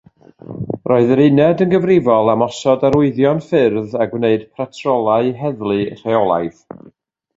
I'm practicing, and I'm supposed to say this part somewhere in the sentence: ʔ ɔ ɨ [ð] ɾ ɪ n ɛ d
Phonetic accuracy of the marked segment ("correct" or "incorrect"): correct